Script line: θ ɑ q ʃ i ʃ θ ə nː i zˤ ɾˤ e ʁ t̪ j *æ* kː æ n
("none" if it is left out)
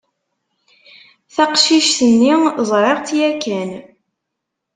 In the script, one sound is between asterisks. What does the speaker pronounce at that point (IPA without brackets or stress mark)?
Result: æ